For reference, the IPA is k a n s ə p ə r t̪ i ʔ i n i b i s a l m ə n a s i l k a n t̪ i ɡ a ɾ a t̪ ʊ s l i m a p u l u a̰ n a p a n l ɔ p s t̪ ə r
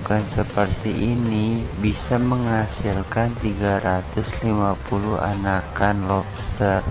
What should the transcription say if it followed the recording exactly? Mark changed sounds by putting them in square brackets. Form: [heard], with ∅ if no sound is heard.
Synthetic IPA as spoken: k a n s ə p ə r t̪ i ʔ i n i b i s a [∅] m ə [ŋ] a s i l k a n t̪ i ɡ a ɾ a t̪ ʊ s l i m a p u l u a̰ n a [k] a n l ɔ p s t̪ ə r